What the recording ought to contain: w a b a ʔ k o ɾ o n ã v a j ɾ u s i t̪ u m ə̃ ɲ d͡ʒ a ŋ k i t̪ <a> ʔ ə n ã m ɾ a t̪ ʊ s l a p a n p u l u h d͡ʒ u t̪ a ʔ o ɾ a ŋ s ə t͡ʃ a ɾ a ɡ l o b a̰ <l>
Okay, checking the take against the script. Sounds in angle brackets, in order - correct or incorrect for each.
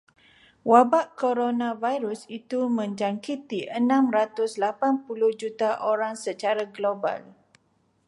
incorrect, correct

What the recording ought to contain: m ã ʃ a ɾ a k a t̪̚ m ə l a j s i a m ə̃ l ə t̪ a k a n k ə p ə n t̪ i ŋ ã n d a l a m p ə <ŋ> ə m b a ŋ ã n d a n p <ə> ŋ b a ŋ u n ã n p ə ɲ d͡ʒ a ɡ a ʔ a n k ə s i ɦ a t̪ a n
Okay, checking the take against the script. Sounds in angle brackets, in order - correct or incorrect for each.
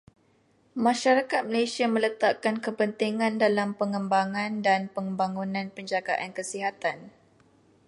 correct, correct

